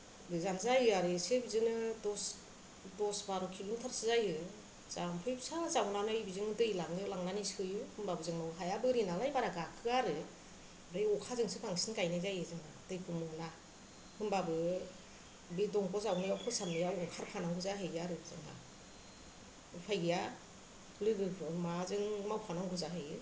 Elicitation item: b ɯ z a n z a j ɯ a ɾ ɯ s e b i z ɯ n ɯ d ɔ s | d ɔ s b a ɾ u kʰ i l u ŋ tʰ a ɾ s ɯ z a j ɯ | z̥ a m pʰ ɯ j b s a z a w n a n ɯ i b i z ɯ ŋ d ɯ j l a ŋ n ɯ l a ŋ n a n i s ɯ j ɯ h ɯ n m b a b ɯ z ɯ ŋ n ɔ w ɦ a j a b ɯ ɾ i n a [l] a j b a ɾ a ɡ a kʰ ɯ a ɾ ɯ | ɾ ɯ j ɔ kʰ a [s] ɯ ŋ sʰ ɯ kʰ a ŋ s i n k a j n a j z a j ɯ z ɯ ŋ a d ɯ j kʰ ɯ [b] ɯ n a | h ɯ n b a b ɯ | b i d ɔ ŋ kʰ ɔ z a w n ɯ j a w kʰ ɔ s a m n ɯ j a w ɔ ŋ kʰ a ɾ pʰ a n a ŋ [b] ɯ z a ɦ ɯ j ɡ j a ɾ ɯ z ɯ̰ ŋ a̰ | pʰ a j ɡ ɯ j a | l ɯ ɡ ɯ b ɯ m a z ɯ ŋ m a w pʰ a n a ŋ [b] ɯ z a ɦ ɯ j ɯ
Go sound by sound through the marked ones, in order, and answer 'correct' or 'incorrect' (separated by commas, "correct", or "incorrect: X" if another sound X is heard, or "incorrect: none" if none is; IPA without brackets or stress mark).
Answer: correct, incorrect: z, incorrect: m, incorrect: ɡ, incorrect: ɡ